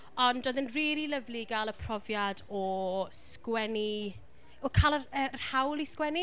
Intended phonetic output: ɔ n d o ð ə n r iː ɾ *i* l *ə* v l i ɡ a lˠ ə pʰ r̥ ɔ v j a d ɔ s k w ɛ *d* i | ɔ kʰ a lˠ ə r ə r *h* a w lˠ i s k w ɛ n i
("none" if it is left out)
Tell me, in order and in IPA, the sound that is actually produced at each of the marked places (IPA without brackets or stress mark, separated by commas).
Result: i, ə, n, h